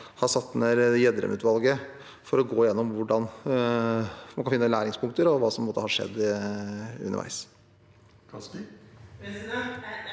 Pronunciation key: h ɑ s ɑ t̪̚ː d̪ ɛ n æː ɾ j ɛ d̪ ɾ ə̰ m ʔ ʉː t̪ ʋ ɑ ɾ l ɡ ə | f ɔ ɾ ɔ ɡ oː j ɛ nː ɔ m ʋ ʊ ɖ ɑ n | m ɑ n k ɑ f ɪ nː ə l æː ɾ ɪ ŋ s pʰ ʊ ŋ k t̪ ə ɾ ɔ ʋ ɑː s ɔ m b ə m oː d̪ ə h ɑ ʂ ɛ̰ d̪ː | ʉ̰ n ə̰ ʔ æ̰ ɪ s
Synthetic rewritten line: h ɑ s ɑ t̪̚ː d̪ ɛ n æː ɾ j ɛ d̪ ɾ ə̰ m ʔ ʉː t̪ ʋ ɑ l ɡ ə | f ɔ ɾ ɔ ɡ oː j ɛ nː ɔ m ʋ ʊ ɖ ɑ n | m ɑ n k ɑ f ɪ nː ə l æː ɾ ɪ ŋ s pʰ ʊ ŋ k t̪ ə ɾ ɔ ʋ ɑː s ɔ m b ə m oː t̪ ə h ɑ ʂ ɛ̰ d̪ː | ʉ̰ n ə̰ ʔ æ̰ ɪ s